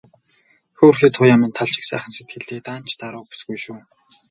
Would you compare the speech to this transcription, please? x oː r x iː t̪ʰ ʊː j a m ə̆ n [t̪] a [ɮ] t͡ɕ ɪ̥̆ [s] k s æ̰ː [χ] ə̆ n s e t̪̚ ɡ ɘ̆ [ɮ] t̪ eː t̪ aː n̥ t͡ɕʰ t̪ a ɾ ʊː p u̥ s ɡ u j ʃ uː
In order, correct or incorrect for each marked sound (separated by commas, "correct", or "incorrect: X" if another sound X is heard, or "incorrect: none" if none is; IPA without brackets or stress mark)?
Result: incorrect: t̪ʰ, correct, incorrect: none, correct, correct